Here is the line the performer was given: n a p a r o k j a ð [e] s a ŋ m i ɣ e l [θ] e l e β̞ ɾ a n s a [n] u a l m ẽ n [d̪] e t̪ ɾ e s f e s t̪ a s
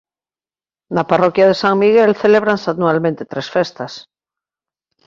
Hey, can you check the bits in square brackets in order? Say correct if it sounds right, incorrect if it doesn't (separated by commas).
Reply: correct, correct, correct, incorrect